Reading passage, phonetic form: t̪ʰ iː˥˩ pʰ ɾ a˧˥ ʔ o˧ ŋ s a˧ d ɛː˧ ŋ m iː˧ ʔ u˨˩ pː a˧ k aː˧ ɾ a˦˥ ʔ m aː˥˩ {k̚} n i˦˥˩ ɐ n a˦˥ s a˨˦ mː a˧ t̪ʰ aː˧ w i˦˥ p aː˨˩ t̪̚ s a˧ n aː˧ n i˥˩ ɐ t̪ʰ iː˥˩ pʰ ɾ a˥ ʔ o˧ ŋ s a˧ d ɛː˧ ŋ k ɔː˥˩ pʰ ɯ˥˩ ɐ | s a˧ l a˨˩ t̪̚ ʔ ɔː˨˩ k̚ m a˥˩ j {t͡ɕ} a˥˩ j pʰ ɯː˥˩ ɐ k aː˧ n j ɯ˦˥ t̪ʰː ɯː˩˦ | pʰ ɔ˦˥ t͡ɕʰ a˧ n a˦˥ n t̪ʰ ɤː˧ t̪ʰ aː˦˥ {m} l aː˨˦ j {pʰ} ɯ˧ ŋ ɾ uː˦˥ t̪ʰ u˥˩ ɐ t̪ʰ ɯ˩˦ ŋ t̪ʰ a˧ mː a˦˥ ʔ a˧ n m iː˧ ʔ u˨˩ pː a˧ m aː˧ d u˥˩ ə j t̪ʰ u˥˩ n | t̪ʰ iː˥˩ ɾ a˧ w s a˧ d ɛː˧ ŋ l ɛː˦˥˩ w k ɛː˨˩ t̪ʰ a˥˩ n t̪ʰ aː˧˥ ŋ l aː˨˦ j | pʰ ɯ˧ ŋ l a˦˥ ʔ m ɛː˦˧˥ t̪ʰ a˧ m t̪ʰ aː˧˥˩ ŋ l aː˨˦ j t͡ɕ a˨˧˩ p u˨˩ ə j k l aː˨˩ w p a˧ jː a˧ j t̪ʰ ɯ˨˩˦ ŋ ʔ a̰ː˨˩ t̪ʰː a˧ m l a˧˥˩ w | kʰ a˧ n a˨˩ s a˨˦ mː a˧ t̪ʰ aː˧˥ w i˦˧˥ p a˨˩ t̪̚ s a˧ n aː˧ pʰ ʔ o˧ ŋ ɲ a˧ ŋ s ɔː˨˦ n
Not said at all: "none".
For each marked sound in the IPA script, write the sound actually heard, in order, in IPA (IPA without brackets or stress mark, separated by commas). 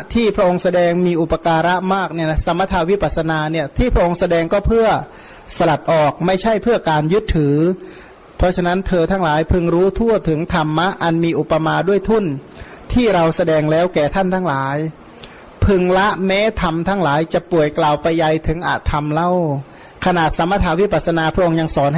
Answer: k̚, t͡ɕʰ, ŋ, pʰ